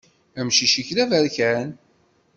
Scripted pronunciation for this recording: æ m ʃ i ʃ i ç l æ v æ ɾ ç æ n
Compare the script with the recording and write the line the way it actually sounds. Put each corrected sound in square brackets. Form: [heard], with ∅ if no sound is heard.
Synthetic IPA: æ m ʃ i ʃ i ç l æ v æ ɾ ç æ n